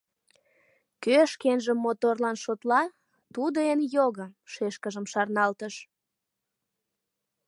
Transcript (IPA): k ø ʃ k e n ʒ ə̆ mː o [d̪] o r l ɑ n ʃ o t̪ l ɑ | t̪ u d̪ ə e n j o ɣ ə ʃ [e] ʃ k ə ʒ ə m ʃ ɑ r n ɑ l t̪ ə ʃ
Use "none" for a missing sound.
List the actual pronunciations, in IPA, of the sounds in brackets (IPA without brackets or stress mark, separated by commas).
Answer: t̪, e